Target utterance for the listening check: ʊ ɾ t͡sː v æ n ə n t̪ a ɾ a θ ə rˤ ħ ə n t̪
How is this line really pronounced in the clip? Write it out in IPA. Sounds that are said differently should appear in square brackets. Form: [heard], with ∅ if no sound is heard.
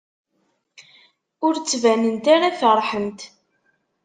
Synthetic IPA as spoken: ʊ ɾ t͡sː v æ n ə n t̪ a ɾ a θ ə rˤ ħ ə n t̪